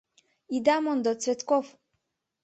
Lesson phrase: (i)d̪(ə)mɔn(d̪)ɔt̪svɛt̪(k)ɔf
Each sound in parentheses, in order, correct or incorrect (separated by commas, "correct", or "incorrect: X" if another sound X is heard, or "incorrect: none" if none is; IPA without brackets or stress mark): correct, incorrect: a, correct, correct